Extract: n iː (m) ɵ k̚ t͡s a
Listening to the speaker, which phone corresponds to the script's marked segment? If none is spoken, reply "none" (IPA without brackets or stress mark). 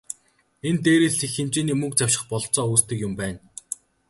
m